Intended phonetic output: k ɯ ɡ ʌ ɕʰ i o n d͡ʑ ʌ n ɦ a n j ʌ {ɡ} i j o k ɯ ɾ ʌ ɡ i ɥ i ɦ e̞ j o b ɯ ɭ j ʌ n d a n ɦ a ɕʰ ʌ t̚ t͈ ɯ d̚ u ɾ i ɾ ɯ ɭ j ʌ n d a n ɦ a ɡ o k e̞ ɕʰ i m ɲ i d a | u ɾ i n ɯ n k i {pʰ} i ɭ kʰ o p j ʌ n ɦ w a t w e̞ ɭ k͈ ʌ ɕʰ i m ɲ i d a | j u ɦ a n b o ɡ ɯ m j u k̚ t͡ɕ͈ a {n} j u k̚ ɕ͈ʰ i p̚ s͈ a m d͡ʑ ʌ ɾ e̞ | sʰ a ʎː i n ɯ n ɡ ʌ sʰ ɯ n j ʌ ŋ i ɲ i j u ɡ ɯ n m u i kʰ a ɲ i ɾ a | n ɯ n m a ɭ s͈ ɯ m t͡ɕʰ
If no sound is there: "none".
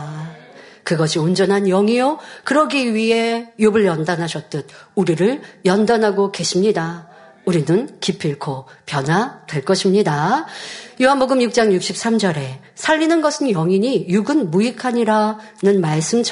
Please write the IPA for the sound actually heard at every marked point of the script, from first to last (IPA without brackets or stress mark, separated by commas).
ŋ, pʰ, ŋ